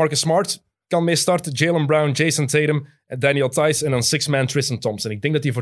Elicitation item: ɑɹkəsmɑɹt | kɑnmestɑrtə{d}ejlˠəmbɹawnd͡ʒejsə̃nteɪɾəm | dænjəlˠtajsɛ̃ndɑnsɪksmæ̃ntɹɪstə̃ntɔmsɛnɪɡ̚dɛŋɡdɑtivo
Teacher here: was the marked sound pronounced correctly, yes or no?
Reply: no